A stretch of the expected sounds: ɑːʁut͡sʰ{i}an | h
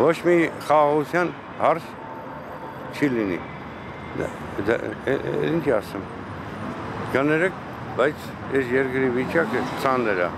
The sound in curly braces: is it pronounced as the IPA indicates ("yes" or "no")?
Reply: no